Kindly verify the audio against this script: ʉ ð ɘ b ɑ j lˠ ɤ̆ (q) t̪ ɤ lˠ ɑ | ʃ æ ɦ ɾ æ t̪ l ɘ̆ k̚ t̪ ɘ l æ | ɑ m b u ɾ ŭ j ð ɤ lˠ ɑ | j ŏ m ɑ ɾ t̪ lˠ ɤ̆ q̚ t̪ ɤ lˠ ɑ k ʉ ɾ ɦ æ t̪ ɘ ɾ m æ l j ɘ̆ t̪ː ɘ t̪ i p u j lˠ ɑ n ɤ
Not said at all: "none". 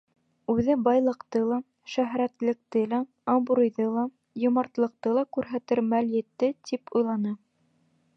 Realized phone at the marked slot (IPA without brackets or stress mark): q